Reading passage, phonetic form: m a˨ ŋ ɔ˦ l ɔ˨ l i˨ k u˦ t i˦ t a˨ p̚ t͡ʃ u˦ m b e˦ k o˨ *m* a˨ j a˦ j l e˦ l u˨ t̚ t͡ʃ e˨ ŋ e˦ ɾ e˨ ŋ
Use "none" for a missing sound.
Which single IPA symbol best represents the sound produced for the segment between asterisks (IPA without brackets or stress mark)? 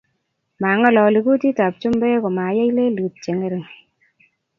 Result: m